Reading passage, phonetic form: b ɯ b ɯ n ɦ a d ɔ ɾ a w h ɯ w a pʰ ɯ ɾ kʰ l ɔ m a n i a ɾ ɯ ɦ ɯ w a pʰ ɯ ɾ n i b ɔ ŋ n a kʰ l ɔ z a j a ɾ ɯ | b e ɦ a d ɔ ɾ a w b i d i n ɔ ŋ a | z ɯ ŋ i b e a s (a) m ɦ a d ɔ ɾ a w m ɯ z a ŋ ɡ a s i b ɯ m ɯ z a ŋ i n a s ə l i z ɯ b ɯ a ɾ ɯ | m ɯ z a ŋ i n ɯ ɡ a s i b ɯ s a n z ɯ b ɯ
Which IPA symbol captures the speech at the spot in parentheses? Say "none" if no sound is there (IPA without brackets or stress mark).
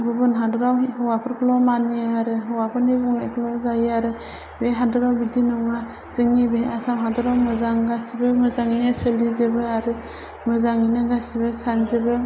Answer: a